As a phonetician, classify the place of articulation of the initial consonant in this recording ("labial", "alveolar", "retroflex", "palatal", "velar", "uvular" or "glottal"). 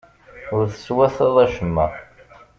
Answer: alveolar